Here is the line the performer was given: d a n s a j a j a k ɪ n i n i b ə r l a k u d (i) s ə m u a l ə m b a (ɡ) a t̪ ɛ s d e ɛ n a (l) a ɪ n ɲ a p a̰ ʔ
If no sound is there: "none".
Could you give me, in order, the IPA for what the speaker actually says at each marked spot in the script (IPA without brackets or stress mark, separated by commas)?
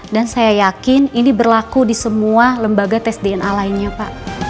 i, ɡ, l